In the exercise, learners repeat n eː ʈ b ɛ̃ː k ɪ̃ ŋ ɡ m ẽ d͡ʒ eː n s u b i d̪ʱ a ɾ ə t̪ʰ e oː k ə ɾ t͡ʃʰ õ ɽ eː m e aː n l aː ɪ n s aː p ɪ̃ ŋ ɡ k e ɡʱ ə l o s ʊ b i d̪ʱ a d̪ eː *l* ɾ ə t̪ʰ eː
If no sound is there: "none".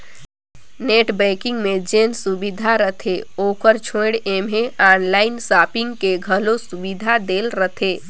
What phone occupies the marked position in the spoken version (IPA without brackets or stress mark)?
l